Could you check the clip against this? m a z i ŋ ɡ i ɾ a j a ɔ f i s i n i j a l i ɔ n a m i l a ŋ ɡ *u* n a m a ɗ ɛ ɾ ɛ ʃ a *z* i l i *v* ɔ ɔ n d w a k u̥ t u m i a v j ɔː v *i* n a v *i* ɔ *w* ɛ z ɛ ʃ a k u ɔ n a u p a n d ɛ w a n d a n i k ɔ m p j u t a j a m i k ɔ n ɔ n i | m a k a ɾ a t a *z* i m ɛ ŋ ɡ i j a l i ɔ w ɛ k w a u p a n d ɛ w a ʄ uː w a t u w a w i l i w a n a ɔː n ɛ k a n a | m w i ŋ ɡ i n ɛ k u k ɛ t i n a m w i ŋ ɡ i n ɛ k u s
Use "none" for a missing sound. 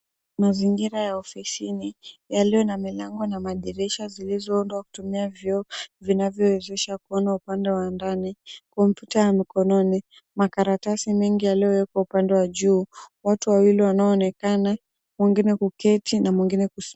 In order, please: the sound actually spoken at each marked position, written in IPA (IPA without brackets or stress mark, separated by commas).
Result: ɔ, z, z, i, j, w, s